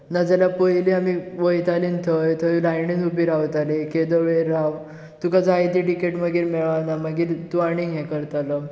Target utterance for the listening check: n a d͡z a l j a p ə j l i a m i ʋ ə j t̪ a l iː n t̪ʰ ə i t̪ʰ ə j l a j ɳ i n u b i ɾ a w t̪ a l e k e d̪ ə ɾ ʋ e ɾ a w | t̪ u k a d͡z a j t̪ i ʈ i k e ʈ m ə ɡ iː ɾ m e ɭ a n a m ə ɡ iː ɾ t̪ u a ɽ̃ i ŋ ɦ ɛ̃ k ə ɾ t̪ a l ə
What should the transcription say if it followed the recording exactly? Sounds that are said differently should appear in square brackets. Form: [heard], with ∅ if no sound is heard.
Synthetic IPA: n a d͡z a l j a p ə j l i a m i ʋ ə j t̪ a l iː n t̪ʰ ə [j] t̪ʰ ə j l a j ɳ i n u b i ɾ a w t̪ a l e k e d̪ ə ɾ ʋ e ɾ a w | t̪ u k a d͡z a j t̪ i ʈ i k e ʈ m ə ɡ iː ɾ m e ɭ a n a m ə ɡ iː ɾ t̪ u a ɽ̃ i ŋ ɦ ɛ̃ k ə ɾ t̪ a l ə